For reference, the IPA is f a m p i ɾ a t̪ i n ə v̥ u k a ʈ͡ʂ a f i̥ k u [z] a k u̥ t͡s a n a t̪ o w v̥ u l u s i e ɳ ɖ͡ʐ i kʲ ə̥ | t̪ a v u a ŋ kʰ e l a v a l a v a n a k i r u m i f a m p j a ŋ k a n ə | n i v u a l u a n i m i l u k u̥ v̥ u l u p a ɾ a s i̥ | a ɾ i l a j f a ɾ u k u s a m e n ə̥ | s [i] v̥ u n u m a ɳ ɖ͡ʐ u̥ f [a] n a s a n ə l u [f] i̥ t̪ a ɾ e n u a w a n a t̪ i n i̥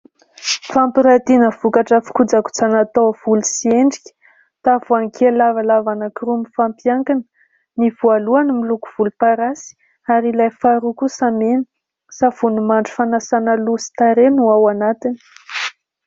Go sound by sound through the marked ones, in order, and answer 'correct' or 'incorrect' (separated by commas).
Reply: incorrect, incorrect, correct, incorrect